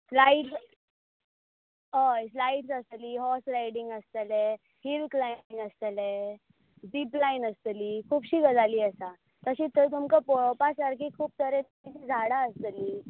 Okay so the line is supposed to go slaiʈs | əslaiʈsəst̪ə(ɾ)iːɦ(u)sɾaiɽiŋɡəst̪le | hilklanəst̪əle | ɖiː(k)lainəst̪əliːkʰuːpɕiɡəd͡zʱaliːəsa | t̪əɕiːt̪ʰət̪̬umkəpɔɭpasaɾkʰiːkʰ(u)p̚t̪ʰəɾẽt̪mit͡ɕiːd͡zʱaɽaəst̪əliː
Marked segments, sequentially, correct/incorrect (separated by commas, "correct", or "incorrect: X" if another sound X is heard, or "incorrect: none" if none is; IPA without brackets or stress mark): incorrect: l, incorrect: ɔ, incorrect: p, incorrect: uː